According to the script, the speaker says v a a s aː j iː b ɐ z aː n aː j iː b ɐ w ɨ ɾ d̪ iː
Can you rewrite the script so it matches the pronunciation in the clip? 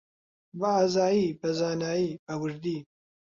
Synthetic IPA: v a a z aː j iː b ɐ z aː n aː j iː b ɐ w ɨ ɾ d̪ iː